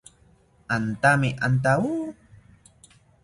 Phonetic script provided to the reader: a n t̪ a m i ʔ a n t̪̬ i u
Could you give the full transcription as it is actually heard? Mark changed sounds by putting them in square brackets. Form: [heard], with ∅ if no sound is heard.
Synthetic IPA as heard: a n t̪ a m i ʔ a n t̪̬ [a] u